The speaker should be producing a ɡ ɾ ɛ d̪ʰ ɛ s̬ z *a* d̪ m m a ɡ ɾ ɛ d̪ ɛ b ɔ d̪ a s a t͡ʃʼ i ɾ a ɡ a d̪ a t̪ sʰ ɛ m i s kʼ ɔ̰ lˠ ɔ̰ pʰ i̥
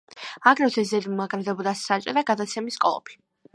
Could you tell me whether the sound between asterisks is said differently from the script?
yes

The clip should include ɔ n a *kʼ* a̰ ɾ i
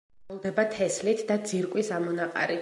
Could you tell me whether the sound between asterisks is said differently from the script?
yes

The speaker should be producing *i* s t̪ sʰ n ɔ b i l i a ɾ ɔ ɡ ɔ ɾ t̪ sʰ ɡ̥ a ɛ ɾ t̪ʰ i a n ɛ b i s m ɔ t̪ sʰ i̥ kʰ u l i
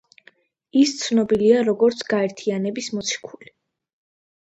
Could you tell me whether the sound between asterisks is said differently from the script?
no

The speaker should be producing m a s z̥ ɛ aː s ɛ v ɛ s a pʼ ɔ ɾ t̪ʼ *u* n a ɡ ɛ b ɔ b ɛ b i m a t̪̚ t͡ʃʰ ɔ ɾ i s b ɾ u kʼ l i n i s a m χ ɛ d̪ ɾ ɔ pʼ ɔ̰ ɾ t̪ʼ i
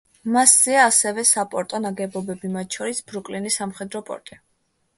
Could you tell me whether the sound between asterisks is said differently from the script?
yes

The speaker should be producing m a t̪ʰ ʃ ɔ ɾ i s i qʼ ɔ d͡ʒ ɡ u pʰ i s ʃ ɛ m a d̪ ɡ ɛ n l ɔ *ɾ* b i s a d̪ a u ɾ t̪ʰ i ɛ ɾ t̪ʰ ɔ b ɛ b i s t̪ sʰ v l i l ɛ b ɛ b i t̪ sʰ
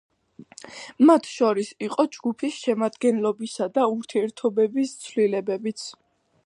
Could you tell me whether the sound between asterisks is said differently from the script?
yes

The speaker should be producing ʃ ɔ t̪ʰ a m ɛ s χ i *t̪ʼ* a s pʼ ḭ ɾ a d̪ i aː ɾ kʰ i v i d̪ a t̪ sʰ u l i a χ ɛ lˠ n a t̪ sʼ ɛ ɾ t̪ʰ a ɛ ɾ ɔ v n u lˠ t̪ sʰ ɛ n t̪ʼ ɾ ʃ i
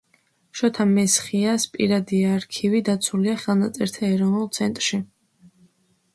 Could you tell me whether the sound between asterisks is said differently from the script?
yes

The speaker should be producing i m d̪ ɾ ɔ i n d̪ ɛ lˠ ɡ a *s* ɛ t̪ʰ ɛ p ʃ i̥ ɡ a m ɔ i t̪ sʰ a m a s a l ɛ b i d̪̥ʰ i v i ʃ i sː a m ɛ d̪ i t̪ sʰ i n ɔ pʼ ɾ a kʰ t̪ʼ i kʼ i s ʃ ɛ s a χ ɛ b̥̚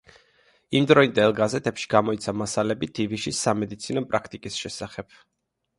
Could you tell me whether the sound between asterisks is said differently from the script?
yes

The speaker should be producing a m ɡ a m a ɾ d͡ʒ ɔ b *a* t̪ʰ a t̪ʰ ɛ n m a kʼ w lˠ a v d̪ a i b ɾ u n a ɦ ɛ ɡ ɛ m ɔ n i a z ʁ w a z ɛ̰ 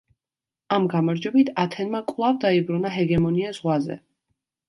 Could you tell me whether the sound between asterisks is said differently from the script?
yes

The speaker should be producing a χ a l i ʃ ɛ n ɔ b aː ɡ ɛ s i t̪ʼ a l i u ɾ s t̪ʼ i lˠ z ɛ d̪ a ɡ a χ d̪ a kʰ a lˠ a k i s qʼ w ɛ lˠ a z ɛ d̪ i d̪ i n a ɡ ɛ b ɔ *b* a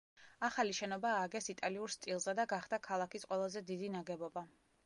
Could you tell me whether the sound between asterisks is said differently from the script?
no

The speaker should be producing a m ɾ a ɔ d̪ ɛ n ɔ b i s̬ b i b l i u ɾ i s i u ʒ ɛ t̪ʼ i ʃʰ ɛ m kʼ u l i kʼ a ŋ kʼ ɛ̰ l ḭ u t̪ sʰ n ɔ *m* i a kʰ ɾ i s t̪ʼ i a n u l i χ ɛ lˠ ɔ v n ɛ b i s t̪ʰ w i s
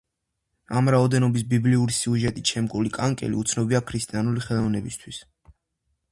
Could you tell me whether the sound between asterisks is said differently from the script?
yes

